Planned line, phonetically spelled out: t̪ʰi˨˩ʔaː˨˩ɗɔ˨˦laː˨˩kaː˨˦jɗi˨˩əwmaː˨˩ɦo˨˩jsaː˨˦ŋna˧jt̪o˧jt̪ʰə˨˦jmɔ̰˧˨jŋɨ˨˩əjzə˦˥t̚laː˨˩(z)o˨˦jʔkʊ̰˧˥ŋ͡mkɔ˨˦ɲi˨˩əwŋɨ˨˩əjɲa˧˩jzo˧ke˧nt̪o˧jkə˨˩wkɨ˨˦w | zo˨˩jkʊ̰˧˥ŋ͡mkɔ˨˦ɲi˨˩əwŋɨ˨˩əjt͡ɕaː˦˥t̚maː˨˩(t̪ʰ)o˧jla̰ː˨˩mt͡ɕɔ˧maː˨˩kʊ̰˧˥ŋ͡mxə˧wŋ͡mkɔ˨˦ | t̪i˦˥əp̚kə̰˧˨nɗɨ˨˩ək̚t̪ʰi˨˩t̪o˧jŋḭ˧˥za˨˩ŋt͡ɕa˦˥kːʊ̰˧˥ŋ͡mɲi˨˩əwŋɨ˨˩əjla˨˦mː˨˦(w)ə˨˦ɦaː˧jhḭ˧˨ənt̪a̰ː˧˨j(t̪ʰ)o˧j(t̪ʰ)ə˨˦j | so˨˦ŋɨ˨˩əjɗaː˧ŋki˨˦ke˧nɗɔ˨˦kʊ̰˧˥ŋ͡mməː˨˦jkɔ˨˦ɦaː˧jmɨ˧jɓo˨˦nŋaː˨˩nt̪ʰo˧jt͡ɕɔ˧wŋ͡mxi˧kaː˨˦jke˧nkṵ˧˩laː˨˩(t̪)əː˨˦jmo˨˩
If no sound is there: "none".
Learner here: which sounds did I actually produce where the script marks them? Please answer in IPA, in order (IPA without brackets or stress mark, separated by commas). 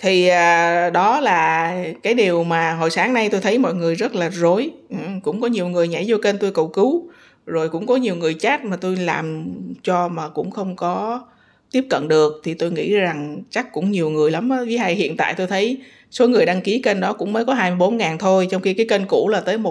z, t̪, v, t̪, t̪ʰ, t̪